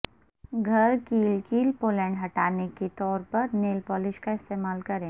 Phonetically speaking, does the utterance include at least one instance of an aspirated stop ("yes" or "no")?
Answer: no